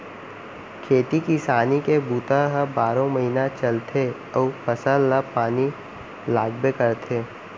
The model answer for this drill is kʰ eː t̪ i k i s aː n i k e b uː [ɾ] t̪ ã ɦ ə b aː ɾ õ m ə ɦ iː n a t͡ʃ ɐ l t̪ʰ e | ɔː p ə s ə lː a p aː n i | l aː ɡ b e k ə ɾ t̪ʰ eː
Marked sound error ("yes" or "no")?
yes